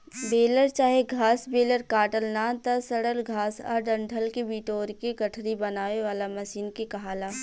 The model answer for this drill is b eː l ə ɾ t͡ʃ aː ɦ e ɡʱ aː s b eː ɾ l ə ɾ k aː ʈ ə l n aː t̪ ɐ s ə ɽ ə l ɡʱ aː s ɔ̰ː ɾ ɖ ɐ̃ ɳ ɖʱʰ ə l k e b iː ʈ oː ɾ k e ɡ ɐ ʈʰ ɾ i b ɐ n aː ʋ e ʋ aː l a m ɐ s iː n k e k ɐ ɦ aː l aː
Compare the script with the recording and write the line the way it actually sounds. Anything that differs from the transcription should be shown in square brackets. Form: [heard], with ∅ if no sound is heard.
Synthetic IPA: b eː l ə ɾ t͡ʃ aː ɦ e ɡʱ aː s b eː [∅] l ə ɾ k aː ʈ ə l n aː t̪ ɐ s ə ɽ ə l ɡʱ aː s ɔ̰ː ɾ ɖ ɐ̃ ɳ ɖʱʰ ə l k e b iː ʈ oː ɾ k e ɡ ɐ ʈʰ ɾ i b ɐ n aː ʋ e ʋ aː l a m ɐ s iː n k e k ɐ ɦ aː l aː

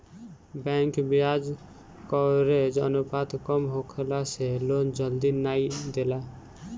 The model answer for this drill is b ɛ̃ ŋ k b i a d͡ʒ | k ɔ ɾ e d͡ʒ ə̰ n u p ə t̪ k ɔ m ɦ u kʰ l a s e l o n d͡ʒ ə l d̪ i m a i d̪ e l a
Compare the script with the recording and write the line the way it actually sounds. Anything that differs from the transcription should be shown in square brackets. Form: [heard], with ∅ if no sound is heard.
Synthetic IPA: b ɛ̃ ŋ k b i a d͡ʒ | k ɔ ɾ e d͡ʒ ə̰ n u p [a] t̪ k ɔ m ɦ [o] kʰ l a s e l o n d͡ʒ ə l d̪ i [n] a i d̪ e l a

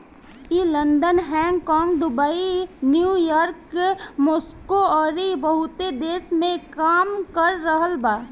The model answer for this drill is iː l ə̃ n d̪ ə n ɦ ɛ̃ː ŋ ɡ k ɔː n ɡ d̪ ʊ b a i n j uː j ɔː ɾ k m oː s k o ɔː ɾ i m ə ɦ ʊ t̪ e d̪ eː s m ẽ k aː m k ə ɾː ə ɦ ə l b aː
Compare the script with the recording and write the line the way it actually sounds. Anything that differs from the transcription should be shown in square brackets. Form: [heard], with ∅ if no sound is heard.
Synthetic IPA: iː l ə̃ n d̪ ə n ɦ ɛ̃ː ŋ ɡ k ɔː [ŋ] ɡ d̪ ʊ b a i n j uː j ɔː ɾ k m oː s k o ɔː ɾ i [b] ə ɦ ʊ t̪ e d̪ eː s m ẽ k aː m k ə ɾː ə ɦ ə l b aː

